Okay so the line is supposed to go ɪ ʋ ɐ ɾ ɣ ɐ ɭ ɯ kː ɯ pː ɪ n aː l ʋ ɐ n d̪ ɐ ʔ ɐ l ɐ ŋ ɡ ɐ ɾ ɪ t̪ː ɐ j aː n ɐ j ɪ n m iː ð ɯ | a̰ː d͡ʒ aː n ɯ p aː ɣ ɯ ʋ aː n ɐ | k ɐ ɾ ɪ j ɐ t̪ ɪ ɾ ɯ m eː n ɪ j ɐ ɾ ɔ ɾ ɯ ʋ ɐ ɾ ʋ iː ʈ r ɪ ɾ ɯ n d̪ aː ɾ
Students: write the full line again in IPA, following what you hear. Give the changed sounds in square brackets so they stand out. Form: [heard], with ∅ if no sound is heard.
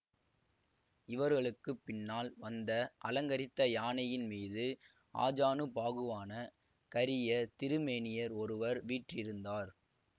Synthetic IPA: ɪ ʋ ɐ ɾ ɣ ɐ ɭ ɯ kː ɯ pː ɪ [nː] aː l ʋ ɐ n d̪ ɐ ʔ ɐ l ɐ ŋ ɡ ɐ ɾ ɪ t̪ː ɐ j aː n ɐ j ɪ n m iː ð ɯ | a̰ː d͡ʒ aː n ɯ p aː ɣ ɯ ʋ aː n ɐ | k ɐ ɾ ɪ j ɐ t̪ ɪ ɾ ɯ m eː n ɪ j ɐ ɾ ɔ ɾ ɯ ʋ ɐ ɾ ʋ iː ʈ r ɪ ɾ ɯ n d̪ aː ɾ

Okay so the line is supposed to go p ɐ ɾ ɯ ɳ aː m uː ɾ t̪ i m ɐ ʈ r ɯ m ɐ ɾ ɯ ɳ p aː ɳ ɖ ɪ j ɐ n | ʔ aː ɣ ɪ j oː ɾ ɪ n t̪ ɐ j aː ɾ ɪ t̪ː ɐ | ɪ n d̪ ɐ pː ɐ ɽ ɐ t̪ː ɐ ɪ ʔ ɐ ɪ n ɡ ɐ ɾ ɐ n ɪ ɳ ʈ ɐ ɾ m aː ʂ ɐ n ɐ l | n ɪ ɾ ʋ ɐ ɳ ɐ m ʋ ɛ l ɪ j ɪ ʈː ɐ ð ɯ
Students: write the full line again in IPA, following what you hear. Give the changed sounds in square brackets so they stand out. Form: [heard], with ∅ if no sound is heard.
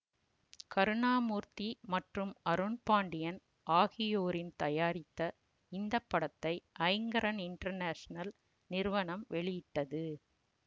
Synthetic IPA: [k] ɐ ɾ ɯ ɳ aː m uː ɾ t̪ i m ɐ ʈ r ɯ m ɐ ɾ ɯ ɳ p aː ɳ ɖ ɪ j ɐ n | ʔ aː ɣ ɪ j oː ɾ ɪ n t̪ ɐ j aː ɾ ɪ t̪ː ɐ | ɪ n d̪ ɐ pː ɐ ɽ ɐ t̪ː ɐ ɪ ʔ ɐ ɪ [ŋ] ɡ ɐ ɾ ɐ n ɪ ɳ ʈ ɐ ɾ [n] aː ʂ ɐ n ɐ l | n ɪ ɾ ʋ ɐ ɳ ɐ m ʋ ɛ [ɭ] ɪ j ɪ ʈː ɐ ð ɯ

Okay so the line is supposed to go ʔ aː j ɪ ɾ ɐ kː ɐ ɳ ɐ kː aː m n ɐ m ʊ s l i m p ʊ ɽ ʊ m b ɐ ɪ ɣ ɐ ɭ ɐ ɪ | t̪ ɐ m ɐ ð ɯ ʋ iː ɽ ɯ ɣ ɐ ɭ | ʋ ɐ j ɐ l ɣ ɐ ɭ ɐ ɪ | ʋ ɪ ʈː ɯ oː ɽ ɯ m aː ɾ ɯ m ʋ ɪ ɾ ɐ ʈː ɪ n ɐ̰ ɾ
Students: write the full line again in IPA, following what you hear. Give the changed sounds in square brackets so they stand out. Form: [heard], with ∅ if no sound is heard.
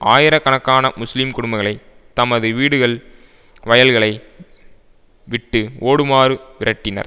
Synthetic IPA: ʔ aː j ɪ ɾ ɐ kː ɐ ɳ ɐ kː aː [∅] n ɐ m ʊ s l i m [k] ʊ ɽ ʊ m b ɐ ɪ ɣ ɐ ɭ ɐ ɪ | t̪ ɐ m ɐ ð ɯ ʋ iː ɽ ɯ ɣ ɐ ɭ | ʋ ɐ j ɐ l ɣ ɐ ɭ ɐ ɪ | ʋ ɪ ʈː ɯ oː ɽ ɯ m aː ɾ ɯ [∅] ʋ ɪ ɾ ɐ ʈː ɪ n ɐ̰ ɾ

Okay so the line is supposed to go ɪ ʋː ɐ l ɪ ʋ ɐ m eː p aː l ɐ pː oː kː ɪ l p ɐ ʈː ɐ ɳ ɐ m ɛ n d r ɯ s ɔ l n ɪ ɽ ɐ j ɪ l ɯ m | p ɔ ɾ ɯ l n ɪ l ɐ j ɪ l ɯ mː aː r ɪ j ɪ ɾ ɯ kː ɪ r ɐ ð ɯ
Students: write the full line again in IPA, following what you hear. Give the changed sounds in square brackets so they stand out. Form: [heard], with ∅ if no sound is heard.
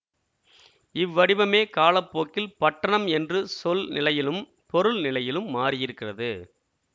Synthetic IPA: ɪ ʋː ɐ [ɽ] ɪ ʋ ɐ m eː [k] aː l ɐ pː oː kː ɪ l p ɐ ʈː ɐ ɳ ɐ m ɛ n d r ɯ s ɔ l n ɪ [l] ɐ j ɪ l ɯ m | p ɔ ɾ ɯ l n ɪ l ɐ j ɪ l ɯ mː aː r ɪ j ɪ ɾ ɯ kː ɪ r ɐ ð ɯ

